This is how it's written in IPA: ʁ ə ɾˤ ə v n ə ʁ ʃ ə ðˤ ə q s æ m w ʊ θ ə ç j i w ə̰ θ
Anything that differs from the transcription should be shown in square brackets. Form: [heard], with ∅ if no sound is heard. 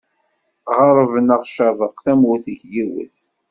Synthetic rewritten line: ʁ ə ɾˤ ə v n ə ʁ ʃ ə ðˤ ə q [θ] æ m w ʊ θ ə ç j i w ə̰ θ

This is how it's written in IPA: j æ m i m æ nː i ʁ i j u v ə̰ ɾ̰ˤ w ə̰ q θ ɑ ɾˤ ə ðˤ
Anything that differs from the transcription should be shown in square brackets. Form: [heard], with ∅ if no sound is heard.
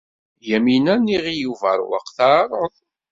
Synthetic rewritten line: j æ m i [n] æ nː i ʁ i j u v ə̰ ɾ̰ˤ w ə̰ q θ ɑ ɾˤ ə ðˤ

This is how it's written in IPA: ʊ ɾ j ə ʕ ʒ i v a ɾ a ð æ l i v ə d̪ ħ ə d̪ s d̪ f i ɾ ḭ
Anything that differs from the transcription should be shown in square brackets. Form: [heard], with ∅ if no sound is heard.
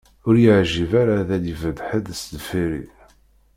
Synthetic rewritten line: ʊ ɾ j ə ʕ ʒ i v a ɾ a ð æ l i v ə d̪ ħ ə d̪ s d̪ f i ɾ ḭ

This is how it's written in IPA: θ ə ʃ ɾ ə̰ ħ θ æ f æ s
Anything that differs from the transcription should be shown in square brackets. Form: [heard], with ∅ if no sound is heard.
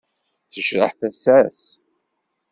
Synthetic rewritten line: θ ə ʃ ɾ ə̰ ħ θ æ [s] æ s

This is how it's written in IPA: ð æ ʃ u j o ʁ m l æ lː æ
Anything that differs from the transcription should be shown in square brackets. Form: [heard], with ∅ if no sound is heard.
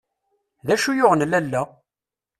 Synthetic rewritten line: ð æ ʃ u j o ʁ [n] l æ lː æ

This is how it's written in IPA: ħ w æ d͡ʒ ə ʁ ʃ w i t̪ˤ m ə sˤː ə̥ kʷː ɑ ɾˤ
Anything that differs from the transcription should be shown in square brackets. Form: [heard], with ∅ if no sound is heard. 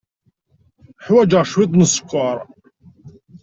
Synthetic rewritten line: ħ w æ d͡ʒ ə ʁ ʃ w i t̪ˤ [n] ə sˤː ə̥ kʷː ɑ ɾˤ

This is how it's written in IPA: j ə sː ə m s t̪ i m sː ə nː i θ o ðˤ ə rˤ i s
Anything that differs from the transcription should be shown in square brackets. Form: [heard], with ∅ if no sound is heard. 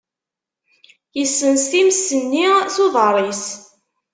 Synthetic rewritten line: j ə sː ə [n] s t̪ i m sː ə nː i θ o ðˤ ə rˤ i s

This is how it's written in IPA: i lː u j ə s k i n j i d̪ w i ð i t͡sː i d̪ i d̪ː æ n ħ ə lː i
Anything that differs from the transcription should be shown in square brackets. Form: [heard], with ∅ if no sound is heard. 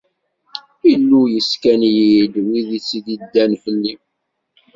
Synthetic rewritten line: i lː u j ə s k [æ] n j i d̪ w i ð i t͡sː i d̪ i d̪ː æ n [f] ə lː i

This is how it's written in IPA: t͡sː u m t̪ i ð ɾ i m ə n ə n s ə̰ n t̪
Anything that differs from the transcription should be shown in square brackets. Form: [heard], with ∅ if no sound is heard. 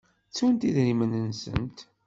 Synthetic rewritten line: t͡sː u [n] t̪ i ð ɾ i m ə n ə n s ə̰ n t̪

